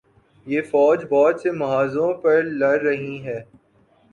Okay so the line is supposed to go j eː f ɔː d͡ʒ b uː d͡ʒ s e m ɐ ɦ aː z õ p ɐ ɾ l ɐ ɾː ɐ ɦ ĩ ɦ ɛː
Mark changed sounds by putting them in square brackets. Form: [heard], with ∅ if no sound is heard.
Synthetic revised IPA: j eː f ɔː d͡ʒ b [ɔː] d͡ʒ s e m ɐ ɦ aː z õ p ɐ ɾ l ɐ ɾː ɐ ɦ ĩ ɦ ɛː